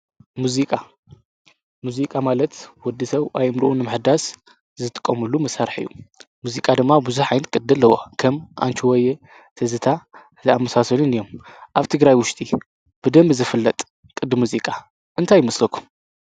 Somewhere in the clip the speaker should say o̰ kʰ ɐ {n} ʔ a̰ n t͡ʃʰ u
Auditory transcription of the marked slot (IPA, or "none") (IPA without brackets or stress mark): m